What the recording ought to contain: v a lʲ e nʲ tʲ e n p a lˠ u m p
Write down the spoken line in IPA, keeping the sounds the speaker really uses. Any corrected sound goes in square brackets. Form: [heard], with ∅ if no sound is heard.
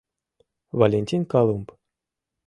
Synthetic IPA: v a lʲ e nʲ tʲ [i] n [k] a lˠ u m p